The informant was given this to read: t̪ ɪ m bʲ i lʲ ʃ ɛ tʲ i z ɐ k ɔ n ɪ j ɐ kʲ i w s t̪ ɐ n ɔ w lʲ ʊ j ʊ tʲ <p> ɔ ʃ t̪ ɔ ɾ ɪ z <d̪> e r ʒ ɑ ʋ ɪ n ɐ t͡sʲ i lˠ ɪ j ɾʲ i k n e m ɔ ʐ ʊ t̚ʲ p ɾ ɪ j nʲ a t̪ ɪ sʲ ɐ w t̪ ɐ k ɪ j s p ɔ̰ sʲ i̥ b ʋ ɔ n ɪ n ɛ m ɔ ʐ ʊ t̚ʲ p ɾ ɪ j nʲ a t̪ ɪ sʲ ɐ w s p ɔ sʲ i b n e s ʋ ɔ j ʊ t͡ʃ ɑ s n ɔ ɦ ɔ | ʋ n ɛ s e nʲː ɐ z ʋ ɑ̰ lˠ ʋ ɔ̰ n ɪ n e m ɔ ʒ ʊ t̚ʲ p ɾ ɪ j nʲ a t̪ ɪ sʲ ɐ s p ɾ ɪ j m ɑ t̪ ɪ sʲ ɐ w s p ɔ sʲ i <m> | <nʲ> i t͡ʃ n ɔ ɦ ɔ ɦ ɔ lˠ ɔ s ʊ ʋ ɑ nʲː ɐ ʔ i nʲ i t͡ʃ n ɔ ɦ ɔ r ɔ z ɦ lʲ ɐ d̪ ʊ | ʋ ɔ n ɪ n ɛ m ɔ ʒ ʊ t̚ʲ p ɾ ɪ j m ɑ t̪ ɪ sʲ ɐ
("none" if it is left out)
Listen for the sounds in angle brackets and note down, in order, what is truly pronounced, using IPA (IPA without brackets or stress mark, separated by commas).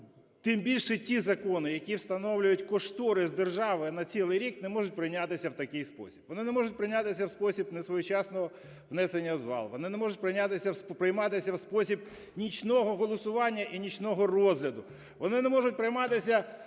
k, d̪, b, nʲ